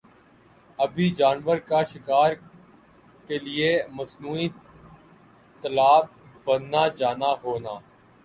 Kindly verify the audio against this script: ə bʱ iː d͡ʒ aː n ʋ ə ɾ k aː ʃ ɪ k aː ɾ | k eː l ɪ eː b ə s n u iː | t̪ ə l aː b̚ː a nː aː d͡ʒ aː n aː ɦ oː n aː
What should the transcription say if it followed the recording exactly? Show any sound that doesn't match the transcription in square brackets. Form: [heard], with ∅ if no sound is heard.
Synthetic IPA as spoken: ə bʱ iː d͡ʒ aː n ʋ ə ɾ k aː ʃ ɪ k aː ɾ | k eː l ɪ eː [m] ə s n [uː] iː | t̪ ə l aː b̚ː [ə] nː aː d͡ʒ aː n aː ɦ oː n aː